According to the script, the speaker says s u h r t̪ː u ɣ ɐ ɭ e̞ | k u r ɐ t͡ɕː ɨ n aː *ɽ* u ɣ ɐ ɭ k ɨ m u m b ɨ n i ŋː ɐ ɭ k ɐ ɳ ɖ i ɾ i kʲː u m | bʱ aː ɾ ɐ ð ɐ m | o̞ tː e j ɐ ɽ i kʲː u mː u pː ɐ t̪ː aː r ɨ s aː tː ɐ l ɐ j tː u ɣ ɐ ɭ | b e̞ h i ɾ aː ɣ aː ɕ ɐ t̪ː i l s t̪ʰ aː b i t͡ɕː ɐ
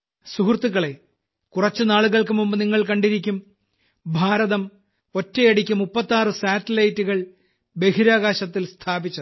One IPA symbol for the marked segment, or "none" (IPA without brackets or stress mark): ɭ